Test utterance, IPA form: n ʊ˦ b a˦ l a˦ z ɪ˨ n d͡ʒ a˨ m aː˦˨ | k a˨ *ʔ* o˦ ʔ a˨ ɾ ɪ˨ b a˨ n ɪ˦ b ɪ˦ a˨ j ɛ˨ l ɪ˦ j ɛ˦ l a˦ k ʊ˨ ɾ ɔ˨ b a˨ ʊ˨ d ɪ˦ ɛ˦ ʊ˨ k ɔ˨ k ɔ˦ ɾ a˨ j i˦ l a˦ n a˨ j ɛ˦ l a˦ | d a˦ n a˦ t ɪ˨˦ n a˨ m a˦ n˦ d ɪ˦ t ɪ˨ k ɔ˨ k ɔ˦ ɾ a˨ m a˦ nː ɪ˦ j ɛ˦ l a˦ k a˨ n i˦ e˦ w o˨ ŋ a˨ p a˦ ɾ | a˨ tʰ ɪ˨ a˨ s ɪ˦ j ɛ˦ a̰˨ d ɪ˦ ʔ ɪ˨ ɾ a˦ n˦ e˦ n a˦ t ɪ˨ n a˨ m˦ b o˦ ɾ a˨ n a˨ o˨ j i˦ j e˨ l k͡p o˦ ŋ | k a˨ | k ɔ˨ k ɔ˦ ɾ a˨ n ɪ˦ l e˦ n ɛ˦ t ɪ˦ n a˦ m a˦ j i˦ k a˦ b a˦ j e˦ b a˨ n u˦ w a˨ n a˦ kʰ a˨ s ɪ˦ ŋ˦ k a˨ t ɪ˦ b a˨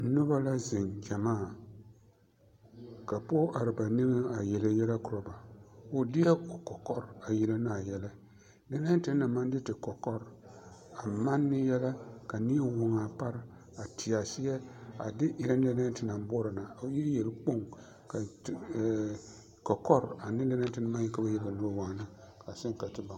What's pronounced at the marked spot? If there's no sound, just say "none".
p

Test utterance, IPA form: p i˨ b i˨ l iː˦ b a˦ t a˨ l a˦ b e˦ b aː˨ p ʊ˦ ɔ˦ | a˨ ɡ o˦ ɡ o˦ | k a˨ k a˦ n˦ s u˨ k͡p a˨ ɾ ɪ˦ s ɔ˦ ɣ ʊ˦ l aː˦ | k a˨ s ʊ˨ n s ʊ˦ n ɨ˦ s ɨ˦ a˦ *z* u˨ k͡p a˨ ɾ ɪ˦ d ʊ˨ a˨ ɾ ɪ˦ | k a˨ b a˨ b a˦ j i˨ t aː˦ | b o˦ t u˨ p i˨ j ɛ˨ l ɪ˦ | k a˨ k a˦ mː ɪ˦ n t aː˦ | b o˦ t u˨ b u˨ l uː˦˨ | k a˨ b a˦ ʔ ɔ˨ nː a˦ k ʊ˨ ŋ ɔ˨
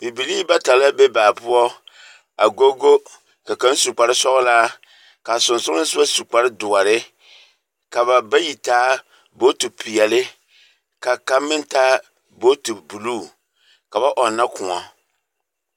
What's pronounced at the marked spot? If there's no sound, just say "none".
s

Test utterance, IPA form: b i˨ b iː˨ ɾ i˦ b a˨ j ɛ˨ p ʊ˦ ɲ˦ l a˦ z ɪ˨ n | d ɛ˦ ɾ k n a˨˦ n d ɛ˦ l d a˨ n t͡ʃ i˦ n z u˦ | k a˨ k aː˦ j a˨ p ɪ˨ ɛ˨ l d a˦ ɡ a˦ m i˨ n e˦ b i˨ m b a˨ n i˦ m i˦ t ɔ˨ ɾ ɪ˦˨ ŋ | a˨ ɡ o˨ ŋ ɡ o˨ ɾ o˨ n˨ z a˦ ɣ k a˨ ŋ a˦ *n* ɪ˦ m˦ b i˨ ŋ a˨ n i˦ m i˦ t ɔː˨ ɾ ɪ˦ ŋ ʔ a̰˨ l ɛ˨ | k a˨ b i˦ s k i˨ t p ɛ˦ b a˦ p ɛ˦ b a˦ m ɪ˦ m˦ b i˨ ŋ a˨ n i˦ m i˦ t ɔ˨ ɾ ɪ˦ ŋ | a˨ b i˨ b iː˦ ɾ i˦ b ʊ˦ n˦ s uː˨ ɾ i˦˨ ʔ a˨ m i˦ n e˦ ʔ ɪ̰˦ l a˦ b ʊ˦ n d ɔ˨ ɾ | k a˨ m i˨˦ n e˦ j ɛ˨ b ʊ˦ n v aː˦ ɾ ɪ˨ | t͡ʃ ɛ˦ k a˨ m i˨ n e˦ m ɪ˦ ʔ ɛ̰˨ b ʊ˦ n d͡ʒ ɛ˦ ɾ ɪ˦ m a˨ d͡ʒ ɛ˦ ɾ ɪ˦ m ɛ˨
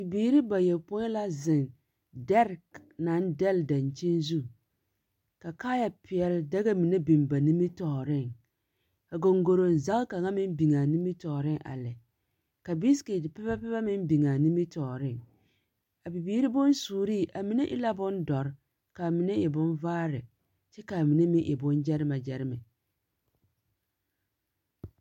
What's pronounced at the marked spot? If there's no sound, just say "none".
m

